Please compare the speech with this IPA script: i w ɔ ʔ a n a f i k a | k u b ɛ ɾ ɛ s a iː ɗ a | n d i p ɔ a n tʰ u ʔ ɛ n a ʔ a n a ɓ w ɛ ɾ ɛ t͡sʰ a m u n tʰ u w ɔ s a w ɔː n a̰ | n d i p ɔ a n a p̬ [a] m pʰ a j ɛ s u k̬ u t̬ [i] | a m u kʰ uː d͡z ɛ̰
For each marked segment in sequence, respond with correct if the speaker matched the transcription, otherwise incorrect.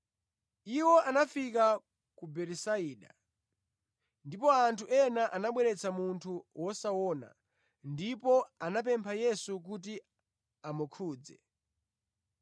incorrect, correct

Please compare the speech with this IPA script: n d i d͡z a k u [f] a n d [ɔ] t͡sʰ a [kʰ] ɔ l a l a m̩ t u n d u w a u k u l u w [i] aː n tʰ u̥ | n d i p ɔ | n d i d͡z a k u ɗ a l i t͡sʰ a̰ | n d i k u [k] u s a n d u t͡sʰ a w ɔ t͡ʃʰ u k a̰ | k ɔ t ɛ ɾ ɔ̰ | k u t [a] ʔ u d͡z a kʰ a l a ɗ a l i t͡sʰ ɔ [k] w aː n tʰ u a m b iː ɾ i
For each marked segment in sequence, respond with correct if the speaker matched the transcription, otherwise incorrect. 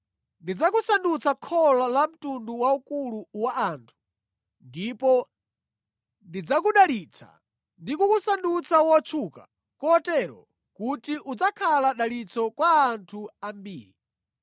incorrect, incorrect, correct, incorrect, correct, incorrect, correct

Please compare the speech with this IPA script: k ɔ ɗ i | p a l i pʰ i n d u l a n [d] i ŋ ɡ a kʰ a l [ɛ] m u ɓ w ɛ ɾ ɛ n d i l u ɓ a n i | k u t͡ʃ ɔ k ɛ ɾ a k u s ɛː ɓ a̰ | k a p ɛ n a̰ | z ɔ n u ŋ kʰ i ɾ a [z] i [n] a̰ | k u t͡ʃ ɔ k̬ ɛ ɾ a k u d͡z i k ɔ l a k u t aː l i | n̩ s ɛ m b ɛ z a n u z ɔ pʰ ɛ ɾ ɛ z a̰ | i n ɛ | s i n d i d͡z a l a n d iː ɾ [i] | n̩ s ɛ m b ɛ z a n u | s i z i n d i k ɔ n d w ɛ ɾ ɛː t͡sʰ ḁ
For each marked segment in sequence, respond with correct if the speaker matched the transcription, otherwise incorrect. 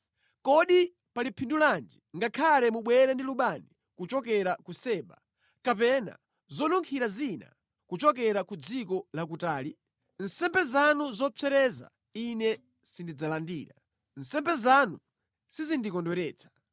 incorrect, correct, correct, correct, incorrect

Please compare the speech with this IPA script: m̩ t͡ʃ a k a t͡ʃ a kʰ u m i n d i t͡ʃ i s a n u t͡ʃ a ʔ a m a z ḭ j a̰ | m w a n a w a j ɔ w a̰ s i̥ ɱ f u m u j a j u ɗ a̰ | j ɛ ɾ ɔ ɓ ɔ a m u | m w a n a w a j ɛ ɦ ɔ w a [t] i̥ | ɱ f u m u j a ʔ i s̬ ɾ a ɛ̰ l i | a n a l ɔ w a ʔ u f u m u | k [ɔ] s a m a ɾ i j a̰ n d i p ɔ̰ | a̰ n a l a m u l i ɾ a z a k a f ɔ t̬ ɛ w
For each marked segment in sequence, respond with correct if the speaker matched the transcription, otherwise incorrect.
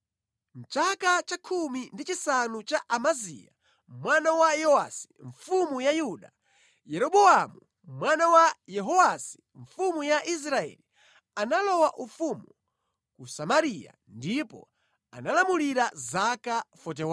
incorrect, incorrect

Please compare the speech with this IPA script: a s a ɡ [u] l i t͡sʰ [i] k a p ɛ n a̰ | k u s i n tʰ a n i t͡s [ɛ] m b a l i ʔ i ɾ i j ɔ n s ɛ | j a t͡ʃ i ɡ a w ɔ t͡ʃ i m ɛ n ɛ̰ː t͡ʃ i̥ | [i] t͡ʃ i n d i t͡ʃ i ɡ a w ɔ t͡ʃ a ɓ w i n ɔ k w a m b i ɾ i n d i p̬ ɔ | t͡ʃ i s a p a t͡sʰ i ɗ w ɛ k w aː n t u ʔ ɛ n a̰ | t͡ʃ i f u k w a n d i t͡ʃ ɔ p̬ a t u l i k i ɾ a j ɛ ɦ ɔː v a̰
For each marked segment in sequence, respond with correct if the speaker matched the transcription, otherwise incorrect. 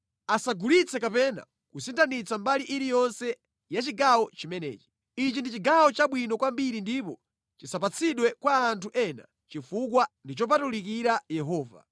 correct, incorrect, incorrect, correct

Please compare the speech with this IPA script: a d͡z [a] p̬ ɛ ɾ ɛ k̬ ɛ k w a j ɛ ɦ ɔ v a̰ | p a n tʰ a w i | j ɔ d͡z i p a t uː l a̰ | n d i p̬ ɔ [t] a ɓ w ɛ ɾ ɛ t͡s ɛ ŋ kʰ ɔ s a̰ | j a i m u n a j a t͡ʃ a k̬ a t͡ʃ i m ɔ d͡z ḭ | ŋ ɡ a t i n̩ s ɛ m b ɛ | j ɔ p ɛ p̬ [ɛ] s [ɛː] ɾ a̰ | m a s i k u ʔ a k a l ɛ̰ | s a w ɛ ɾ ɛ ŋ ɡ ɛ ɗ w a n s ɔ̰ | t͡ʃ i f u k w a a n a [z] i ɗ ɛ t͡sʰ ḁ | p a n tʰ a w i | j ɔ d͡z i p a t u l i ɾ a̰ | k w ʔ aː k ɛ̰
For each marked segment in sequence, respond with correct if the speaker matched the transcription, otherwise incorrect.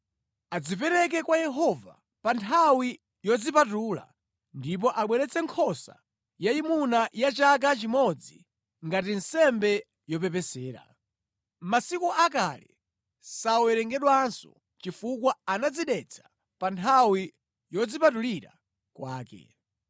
incorrect, incorrect, correct, correct, incorrect

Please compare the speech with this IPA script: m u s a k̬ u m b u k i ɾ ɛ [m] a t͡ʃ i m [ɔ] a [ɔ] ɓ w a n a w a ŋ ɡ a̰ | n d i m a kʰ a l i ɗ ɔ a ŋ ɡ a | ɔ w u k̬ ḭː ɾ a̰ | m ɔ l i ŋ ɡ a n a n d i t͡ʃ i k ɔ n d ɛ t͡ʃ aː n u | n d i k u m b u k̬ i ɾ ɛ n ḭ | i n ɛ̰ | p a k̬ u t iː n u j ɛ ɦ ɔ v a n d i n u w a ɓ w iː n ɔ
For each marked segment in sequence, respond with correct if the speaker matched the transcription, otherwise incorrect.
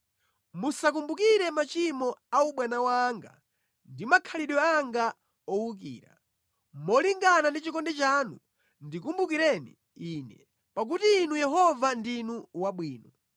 correct, correct, incorrect

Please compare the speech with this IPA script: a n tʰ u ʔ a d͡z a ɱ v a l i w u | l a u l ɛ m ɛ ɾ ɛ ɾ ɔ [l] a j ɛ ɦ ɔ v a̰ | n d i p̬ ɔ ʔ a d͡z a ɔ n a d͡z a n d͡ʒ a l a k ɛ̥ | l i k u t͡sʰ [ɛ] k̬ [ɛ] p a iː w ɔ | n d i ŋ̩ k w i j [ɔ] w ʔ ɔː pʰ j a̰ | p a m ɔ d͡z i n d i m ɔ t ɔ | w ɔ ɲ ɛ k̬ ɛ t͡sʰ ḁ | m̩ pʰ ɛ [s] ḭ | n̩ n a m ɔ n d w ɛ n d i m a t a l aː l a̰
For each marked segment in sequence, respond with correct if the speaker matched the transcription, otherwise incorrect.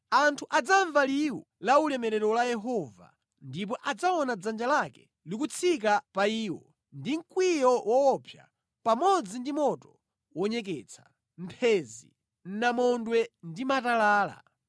correct, incorrect, incorrect, correct, incorrect

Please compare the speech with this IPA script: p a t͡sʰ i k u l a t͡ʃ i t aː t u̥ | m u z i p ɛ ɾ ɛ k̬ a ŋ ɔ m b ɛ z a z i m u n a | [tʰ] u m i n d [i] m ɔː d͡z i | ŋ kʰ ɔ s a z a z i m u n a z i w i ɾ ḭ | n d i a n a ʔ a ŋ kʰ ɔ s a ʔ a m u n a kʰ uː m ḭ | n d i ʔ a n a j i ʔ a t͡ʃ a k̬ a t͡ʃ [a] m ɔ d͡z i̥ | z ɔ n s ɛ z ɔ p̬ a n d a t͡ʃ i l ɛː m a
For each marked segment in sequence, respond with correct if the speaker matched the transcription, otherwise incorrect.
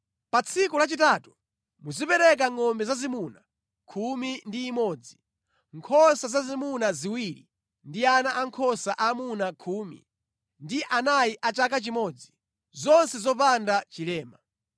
incorrect, incorrect, incorrect

